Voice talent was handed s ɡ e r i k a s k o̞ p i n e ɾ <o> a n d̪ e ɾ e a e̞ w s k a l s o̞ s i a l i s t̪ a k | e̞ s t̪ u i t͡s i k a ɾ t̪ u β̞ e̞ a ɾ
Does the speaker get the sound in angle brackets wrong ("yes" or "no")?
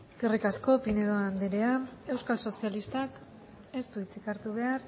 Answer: no